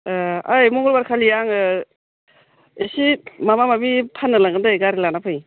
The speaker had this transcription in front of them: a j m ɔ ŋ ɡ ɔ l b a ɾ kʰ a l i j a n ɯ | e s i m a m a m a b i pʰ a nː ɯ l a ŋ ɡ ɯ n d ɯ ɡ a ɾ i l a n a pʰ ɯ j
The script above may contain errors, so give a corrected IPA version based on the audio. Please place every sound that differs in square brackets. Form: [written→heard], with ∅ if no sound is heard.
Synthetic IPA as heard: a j m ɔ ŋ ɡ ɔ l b a ɾ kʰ a l i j a [n→ŋ] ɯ | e s i m a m a m a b i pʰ a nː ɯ l a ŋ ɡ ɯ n d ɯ ɡ a ɾ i l a n a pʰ ɯ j